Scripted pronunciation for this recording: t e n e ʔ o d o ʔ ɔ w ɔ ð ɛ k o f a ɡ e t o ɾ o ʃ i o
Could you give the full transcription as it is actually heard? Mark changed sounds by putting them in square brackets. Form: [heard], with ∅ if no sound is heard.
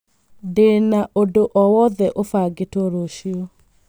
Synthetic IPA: [d] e n [a] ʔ o d o ʔ ɔ w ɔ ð ɛ [ʔ] o f a ɡ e t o ɾ o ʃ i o